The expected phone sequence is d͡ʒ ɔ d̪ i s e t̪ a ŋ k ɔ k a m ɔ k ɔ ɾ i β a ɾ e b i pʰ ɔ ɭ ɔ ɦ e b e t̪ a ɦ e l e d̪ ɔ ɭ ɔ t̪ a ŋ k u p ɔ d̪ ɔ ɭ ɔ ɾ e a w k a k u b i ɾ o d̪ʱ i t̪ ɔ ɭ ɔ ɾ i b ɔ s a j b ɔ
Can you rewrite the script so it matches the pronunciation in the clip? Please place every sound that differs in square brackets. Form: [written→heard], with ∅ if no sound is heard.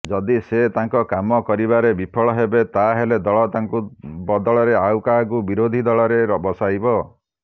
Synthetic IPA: d͡ʒ ɔ d̪ i s e t̪ a ŋ k ɔ k a m ɔ k ɔ ɾ i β a ɾ e b i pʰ ɔ ɭ ɔ ɦ e b e t̪ a ɦ e l e d̪ ɔ ɭ ɔ t̪ a ŋ k u [p→b] ɔ d̪ ɔ ɭ ɔ ɾ e a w k a k u b i ɾ o d̪ʱ i [t̪→d̪] ɔ ɭ ɔ ɾ [i→e] b ɔ s a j b ɔ